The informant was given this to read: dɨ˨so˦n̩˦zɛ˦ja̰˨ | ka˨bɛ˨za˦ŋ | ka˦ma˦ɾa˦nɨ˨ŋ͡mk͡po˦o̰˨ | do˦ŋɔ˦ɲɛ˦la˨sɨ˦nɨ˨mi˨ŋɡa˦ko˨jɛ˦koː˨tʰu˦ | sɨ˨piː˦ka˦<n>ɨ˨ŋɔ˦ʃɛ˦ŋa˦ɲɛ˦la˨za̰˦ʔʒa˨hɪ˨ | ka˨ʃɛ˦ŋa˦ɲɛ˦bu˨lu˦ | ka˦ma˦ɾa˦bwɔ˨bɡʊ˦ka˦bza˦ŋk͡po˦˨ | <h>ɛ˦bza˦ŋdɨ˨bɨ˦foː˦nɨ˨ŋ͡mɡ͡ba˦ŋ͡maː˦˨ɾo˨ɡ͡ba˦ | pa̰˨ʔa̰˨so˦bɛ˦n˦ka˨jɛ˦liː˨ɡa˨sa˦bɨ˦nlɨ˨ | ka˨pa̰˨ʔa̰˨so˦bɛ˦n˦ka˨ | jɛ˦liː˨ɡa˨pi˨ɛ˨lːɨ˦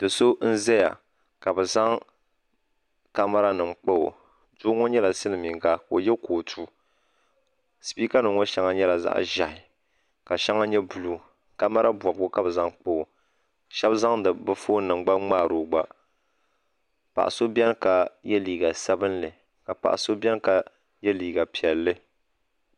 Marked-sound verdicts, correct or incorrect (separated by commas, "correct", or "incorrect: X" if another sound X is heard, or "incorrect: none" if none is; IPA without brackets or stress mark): correct, incorrect: ʃ